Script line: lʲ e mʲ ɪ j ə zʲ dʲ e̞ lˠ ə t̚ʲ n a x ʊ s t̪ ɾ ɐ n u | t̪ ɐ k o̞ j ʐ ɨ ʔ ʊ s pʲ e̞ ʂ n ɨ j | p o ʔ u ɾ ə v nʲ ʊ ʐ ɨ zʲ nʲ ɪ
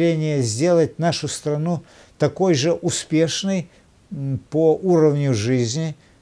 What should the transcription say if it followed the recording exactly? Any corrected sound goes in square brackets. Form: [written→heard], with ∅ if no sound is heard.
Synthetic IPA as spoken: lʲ e [mʲ→nʲ] ɪ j ə zʲ dʲ e̞ lˠ ə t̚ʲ n a [x→ʂ] ʊ s t̪ ɾ ɐ n u | t̪ ɐ k o̞ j ʐ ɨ ʔ ʊ s pʲ e̞ ʂ n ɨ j | p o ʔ u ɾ ə v nʲ ʊ ʐ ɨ zʲ nʲ ɪ